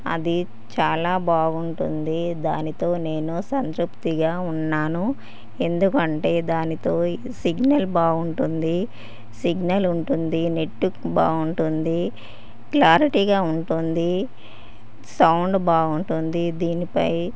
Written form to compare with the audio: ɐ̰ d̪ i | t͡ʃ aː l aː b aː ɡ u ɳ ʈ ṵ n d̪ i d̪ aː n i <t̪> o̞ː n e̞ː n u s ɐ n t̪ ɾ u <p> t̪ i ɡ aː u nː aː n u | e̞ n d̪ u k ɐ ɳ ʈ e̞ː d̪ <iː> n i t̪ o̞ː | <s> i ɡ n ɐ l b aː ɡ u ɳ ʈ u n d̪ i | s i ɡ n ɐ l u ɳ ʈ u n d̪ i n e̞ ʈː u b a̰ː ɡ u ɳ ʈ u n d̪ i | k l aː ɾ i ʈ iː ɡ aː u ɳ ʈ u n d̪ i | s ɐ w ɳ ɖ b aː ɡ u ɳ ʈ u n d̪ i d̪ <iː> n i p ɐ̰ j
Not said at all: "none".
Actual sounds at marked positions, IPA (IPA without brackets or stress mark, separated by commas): t̪, p, aː, s, iː